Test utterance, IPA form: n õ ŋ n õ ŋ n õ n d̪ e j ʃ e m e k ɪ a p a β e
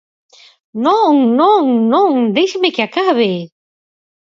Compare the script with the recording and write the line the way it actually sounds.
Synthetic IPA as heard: n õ ŋ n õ ŋ n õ ŋ d̪ e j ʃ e m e k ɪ a k a β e